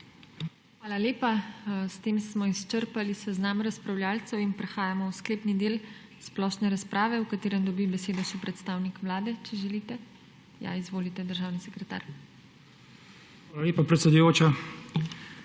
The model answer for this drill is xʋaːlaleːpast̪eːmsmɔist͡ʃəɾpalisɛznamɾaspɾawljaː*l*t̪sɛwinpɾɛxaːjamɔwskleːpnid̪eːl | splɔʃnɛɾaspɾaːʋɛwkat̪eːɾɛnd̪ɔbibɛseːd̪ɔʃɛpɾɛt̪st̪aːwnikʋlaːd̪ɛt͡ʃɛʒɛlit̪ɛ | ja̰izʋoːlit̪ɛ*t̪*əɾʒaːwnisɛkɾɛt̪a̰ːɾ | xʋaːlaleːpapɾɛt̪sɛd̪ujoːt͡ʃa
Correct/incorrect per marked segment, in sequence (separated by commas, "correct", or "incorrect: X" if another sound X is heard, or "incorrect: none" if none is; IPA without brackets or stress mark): correct, incorrect: d̪